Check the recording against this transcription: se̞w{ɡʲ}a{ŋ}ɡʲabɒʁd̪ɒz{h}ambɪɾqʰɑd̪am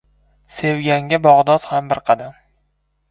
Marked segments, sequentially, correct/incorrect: correct, correct, correct

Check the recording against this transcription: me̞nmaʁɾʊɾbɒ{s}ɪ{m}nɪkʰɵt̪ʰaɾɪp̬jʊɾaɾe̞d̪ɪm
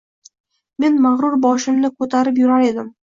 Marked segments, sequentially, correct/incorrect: incorrect: ʃ, correct

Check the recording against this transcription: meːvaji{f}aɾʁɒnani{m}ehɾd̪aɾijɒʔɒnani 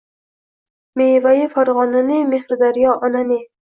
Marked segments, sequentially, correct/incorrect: correct, correct

